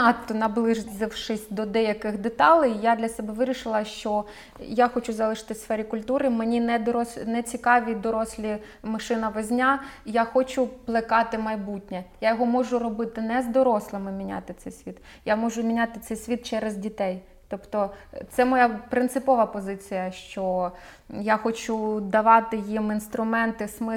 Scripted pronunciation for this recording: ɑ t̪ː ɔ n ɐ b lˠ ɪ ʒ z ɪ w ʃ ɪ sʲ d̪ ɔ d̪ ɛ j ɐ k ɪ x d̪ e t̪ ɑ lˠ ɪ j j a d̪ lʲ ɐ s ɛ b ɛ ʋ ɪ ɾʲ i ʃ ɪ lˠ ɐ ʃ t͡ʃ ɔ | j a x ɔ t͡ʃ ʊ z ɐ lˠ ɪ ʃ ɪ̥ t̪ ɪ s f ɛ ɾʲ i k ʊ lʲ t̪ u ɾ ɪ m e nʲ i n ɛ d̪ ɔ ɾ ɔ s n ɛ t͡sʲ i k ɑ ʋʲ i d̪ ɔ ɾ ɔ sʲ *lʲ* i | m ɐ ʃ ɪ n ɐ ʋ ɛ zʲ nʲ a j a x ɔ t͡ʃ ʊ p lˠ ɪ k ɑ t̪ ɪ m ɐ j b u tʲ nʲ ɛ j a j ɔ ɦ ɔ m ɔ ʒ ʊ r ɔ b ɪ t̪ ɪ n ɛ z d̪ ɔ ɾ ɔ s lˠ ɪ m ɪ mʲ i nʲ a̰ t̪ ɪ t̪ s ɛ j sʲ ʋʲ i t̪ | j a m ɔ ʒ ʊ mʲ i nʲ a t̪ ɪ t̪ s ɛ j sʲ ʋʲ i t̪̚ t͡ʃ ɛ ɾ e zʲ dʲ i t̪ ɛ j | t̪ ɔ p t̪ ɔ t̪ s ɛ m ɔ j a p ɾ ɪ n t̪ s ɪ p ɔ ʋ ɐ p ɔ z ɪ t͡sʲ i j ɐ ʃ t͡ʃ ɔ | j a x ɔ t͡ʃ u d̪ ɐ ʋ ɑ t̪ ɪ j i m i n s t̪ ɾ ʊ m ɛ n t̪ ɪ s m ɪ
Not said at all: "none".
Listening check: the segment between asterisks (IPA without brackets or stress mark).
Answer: lʲ